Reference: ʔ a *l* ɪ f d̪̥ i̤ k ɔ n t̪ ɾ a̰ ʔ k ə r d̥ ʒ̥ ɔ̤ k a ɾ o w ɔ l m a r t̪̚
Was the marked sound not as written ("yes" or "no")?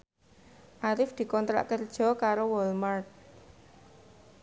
yes